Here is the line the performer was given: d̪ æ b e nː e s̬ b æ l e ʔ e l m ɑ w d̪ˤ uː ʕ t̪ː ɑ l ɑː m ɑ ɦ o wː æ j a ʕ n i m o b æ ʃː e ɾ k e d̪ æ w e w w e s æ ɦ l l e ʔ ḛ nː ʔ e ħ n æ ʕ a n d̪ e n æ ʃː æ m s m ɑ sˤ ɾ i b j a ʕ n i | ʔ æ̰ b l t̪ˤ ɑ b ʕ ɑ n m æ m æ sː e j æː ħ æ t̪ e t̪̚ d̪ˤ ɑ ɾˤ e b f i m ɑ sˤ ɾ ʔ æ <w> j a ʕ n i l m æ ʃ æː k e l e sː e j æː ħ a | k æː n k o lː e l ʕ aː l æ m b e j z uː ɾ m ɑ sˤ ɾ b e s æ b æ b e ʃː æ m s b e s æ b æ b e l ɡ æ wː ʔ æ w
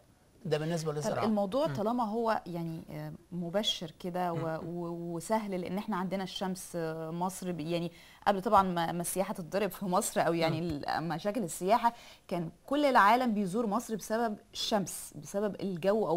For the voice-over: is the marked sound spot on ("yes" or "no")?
yes